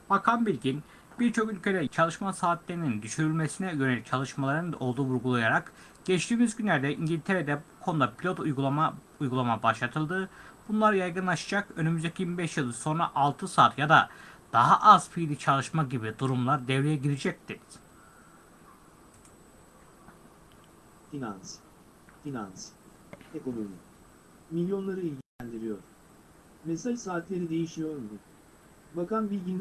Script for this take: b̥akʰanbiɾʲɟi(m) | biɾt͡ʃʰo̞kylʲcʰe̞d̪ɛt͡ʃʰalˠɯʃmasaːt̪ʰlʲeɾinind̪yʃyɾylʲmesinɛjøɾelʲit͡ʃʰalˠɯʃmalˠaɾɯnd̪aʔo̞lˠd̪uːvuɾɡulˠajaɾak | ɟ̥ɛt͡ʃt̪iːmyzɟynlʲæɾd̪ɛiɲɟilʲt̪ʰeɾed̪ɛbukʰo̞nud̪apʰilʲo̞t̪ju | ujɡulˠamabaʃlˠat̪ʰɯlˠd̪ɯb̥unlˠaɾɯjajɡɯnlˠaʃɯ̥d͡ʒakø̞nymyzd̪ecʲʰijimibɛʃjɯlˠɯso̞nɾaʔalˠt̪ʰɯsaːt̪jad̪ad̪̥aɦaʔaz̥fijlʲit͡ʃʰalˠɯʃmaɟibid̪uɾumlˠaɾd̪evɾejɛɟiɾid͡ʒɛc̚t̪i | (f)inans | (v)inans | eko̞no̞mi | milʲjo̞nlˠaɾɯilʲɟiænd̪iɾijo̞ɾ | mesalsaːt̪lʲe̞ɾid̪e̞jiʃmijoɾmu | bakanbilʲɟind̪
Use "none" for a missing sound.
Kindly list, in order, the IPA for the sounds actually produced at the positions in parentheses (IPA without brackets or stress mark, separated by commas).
n, f, f